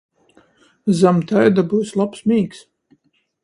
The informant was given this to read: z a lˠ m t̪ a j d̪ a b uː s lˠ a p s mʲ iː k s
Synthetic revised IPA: z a m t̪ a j d̪ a b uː s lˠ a p s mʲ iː k s